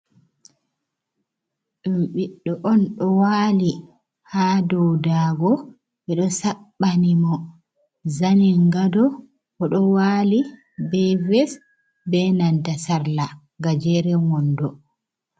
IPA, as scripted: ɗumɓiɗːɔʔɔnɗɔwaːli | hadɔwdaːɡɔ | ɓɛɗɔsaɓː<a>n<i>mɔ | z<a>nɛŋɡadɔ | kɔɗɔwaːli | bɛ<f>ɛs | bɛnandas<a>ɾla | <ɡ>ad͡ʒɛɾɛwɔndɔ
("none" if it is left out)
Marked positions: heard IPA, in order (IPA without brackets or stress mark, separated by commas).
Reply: a, i, a, v, a, ɡ